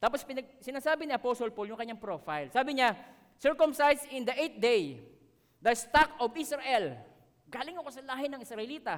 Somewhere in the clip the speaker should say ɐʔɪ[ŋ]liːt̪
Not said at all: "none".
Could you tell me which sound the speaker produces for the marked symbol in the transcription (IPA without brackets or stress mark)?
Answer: none